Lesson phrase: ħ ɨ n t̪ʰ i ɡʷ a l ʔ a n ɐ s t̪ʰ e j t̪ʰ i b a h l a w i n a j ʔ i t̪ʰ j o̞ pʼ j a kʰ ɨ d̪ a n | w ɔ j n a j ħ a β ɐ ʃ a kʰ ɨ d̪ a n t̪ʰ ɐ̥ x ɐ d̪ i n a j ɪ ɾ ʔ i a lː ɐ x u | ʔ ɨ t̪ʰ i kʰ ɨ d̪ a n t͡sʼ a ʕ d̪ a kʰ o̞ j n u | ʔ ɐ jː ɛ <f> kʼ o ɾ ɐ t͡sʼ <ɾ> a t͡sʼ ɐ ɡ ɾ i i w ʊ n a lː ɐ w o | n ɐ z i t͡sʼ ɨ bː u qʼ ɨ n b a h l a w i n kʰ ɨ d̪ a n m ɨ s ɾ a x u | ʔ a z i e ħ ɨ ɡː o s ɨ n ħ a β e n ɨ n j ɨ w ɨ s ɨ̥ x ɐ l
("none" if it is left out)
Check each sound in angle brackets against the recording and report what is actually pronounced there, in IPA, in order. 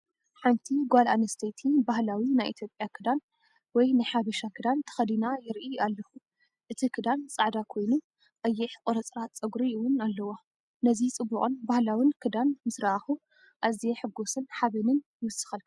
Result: ħ, ɾ

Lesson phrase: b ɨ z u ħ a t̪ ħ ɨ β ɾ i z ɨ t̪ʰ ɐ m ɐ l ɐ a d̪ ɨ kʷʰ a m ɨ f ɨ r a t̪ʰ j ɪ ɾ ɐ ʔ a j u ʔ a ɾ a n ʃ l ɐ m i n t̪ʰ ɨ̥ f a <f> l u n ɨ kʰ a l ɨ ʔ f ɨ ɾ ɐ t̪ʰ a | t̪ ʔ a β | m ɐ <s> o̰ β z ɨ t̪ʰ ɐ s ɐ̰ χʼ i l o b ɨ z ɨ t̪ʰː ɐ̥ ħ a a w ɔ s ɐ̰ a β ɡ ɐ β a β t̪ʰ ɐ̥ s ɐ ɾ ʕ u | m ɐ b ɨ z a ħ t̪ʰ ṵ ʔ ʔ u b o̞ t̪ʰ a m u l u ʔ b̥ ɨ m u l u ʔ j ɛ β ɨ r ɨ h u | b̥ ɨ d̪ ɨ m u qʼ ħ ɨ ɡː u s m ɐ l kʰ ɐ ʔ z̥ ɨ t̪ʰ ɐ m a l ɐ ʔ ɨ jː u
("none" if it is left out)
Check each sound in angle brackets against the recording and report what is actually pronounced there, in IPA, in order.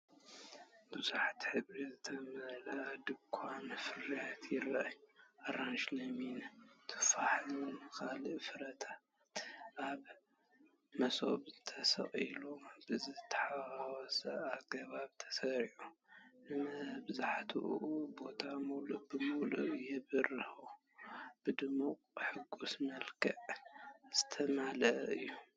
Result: ħ, s

